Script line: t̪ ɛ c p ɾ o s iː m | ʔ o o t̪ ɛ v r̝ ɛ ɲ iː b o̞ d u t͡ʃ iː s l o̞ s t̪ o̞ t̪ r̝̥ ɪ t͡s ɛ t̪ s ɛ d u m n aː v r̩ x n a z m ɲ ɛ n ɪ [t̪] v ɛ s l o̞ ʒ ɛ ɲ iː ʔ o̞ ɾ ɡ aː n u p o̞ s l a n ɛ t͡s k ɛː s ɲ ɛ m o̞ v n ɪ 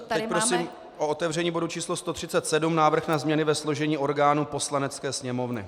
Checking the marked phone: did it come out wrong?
yes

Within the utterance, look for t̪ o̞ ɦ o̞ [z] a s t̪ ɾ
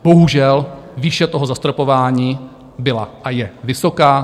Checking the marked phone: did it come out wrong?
no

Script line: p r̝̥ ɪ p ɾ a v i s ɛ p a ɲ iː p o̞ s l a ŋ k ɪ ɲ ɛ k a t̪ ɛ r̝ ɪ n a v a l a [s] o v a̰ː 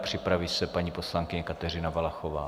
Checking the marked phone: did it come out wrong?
yes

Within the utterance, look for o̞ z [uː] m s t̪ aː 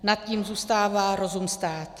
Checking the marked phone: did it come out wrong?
yes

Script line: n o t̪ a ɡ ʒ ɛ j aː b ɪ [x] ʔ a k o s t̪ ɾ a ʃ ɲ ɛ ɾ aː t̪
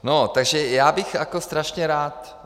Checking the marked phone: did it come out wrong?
no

